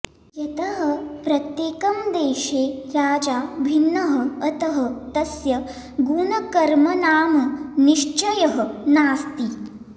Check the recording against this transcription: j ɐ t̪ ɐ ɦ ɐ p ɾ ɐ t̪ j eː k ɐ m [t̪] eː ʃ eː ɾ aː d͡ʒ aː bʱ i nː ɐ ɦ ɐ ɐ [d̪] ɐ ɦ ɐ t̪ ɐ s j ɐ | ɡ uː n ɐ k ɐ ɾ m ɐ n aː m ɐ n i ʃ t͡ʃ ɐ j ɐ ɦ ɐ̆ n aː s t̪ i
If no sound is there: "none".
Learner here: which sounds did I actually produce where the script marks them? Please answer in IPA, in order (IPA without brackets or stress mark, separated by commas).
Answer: d̪, t̪